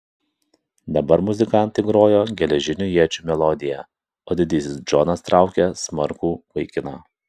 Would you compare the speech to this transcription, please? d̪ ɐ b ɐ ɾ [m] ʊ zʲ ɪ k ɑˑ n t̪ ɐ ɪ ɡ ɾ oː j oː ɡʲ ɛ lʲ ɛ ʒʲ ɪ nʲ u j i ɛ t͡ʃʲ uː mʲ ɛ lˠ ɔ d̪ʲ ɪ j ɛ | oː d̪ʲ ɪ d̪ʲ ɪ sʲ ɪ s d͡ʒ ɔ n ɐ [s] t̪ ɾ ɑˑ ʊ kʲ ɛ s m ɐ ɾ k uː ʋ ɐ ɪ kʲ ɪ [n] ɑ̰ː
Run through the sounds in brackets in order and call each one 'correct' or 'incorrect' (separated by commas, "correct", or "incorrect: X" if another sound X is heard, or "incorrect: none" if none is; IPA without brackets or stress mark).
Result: correct, correct, correct